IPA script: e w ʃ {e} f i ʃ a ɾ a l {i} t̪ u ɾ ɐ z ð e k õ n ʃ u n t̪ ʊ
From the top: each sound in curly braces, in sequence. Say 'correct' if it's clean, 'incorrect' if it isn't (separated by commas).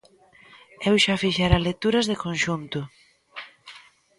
incorrect, incorrect